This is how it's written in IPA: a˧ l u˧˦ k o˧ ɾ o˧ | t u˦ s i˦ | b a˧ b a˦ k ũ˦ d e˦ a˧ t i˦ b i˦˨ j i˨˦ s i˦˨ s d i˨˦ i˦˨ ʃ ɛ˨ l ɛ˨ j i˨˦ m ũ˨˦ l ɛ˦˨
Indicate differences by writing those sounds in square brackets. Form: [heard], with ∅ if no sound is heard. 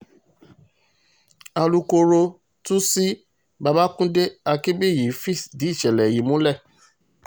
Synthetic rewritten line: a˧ l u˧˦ k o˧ ɾ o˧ | t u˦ s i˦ | b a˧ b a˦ k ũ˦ d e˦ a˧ [k] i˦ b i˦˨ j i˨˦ [f] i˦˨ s d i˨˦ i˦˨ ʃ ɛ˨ l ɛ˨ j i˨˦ m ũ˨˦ l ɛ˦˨